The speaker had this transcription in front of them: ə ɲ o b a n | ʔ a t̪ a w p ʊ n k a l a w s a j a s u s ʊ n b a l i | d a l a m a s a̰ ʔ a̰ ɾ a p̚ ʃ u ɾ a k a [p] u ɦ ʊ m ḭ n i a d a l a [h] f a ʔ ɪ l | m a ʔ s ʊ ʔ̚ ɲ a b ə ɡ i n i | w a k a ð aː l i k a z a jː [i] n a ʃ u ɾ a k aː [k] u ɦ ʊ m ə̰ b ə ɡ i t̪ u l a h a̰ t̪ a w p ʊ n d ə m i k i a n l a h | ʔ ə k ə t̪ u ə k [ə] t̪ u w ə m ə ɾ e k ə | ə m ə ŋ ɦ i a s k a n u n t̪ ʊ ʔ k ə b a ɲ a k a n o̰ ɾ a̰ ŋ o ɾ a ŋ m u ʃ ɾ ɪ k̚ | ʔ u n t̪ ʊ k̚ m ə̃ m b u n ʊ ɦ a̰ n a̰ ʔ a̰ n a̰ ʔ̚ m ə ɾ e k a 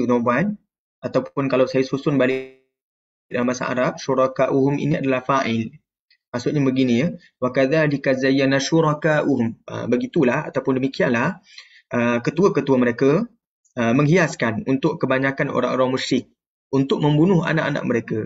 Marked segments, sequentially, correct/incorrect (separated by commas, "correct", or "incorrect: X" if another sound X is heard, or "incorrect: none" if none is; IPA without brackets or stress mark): incorrect: ʔ, correct, incorrect: a, incorrect: ʔ, correct